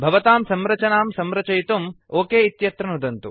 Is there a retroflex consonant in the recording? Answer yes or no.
no